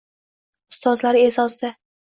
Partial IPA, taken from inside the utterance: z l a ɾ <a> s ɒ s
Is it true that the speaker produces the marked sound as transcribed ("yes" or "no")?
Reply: no